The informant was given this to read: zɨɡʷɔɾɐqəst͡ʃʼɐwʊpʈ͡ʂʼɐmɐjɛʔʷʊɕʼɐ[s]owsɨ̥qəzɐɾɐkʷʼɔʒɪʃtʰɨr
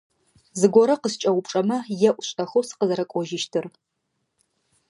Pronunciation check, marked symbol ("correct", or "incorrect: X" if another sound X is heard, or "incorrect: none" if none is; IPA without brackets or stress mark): incorrect: x